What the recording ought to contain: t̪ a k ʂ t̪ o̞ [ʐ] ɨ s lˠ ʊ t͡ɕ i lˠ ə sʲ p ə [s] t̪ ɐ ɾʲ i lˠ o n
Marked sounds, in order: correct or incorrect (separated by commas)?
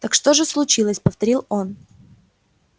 correct, incorrect